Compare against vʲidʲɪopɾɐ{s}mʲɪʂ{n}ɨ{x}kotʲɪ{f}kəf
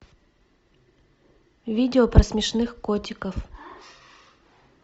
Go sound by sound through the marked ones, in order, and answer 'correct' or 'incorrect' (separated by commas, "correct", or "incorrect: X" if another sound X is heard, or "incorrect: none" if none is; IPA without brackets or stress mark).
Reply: correct, correct, correct, incorrect: none